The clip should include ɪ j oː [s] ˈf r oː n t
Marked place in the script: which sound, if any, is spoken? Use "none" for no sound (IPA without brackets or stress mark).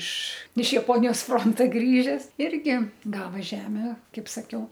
s